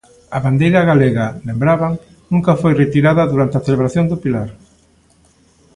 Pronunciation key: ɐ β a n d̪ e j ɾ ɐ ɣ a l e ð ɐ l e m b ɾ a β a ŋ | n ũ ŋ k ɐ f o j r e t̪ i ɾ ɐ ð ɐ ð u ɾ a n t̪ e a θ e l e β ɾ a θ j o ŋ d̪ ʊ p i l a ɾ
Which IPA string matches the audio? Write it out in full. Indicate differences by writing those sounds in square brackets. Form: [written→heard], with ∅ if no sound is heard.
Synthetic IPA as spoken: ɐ β a n d̪ e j ɾ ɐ ɣ a l e [ð→ɣ] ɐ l e m b ɾ a β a ŋ | n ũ ŋ k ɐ f o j r e t̪ i ɾ [ɐ→a] ð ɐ ð u ɾ a n t̪ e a θ e l e β ɾ a θ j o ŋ d̪ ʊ p i l a ɾ